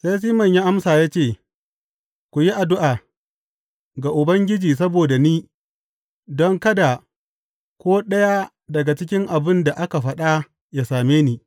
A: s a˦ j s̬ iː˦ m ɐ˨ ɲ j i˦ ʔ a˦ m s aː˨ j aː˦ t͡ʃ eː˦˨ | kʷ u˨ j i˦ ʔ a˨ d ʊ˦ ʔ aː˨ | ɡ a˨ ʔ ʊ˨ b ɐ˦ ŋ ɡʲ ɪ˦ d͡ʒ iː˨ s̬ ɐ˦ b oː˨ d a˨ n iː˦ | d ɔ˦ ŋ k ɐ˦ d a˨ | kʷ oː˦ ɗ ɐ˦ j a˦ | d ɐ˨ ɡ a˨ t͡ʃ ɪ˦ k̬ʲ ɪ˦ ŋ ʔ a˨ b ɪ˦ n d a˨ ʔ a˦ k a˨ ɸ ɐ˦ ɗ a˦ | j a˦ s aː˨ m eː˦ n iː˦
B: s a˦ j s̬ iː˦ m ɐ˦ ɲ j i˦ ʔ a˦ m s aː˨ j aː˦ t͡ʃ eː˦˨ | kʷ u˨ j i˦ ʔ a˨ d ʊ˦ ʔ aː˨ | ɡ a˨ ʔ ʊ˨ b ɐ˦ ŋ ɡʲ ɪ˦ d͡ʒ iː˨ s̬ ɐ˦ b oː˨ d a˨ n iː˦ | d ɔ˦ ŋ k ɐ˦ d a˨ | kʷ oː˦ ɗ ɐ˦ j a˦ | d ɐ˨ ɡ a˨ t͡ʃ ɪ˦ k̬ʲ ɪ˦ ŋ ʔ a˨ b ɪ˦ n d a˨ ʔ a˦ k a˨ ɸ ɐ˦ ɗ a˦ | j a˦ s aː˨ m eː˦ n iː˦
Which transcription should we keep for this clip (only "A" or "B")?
A